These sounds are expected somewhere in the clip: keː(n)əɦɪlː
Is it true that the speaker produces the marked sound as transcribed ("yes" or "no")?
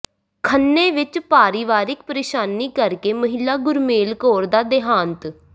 no